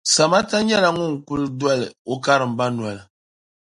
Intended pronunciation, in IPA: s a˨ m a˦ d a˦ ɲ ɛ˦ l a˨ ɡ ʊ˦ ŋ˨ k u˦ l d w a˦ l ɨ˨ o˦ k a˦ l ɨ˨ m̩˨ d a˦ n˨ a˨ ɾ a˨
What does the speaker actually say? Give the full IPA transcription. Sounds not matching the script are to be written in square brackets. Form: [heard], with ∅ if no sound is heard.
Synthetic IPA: s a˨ m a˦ [t] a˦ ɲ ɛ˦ l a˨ [ŋ] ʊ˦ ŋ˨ k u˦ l d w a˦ l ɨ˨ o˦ k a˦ [ɾ] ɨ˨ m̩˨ [b] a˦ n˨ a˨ [l] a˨